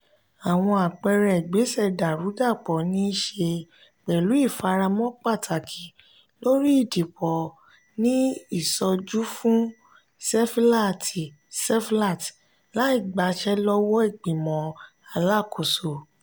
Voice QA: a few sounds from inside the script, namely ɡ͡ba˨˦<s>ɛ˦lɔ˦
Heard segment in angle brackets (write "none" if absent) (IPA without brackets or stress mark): ʃ